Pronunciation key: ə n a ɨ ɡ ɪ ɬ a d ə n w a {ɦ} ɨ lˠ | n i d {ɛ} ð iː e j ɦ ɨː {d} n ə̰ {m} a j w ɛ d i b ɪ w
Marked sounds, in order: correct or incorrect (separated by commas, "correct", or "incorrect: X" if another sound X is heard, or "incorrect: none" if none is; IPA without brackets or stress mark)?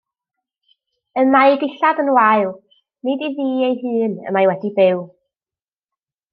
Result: incorrect: none, incorrect: i, incorrect: none, correct